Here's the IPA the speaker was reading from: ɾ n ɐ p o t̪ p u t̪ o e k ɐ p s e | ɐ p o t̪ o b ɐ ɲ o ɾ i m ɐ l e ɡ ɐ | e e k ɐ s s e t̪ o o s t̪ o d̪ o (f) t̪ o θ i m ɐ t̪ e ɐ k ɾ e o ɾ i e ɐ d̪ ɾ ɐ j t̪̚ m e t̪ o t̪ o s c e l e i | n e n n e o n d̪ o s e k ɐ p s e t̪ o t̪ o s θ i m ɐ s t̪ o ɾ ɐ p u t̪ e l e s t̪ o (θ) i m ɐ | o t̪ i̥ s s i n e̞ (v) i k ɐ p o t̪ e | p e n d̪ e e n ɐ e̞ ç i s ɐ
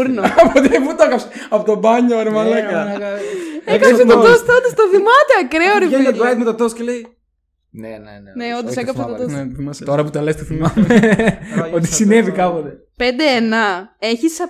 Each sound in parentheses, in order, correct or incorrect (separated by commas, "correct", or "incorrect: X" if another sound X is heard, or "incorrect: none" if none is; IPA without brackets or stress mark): incorrect: s, correct, correct